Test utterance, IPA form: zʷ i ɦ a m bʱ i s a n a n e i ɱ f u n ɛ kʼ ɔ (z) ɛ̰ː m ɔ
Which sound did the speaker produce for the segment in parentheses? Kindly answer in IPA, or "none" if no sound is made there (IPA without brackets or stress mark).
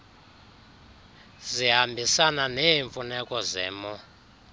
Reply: z